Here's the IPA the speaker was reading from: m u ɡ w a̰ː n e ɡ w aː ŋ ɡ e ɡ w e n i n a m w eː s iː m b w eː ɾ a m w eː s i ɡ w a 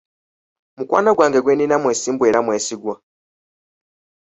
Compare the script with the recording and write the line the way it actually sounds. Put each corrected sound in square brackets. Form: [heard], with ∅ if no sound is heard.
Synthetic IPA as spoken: m u [k] w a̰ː n [a] ɡ w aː ŋ ɡ e ɡ w e n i n a m w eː s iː m b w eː ɾ a m w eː s i ɡ w a